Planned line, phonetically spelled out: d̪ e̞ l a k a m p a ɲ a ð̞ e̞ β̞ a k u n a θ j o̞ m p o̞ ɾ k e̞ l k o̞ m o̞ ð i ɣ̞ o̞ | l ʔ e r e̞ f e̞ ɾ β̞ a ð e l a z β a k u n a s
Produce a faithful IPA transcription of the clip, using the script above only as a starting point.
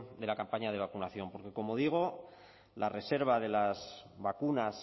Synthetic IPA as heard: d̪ e̞ l a k a m p a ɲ a ð̞ e̞ β̞ a k u n a θ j o̞ m p o̞ ɾ k e̞ k o̞ m o̞ ð i ɣ̞ o̞ | l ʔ a r e̞ s e̞ ɾ β̞ a ð e l a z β a k u n a s